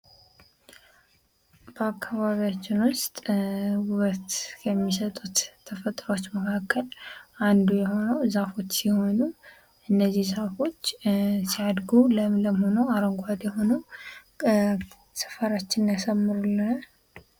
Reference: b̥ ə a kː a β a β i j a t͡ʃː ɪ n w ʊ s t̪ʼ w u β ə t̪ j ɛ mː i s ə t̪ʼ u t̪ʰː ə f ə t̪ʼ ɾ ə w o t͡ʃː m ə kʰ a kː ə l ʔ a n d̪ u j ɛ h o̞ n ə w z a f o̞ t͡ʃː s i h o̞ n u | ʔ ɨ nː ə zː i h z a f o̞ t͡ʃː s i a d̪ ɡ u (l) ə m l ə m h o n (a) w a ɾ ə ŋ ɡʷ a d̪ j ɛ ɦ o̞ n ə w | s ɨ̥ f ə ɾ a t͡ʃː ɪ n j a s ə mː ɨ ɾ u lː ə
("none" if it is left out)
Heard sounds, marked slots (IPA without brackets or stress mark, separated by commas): l, ə